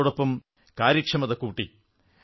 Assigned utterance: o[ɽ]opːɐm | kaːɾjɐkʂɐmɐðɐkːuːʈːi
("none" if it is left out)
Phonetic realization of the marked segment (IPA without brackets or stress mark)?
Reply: ɽ